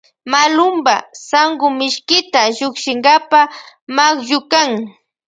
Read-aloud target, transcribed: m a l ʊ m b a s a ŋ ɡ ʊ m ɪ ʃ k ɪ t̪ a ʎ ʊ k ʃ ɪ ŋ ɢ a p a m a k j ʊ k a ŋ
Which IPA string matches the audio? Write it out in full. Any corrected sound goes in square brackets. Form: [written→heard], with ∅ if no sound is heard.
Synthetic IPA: m a l ʊ m b a s a ŋ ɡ ʊ m ɪ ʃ k ɪ t̪ a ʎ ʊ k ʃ ɪ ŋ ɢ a p a m a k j ʊ k a ŋ